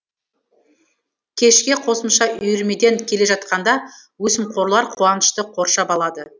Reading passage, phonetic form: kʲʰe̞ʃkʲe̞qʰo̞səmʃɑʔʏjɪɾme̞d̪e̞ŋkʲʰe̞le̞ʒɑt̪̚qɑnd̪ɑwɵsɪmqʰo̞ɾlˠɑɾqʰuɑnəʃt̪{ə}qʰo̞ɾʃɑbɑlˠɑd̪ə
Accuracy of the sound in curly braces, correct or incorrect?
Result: correct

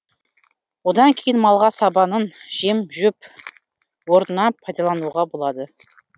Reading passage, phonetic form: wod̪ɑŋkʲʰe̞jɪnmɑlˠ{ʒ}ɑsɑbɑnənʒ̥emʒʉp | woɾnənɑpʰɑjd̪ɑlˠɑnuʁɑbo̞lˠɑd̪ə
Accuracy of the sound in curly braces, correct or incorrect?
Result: incorrect: ʁ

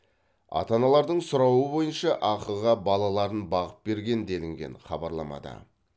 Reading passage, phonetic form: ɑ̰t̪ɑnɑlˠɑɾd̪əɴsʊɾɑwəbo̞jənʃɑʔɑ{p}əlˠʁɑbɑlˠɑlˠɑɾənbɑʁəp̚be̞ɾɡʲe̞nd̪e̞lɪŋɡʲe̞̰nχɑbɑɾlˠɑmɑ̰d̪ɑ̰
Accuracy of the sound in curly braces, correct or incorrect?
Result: incorrect: q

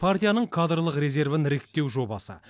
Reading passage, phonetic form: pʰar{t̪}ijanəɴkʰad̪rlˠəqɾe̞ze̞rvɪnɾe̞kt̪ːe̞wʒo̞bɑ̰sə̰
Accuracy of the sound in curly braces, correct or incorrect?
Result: correct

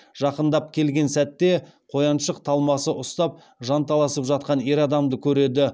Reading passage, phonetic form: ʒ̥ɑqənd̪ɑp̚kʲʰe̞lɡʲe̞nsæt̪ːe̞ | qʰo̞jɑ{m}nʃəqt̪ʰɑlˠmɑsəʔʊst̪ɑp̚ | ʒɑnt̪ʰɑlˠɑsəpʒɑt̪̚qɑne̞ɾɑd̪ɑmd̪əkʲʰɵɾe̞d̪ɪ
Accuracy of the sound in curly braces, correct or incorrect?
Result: incorrect: none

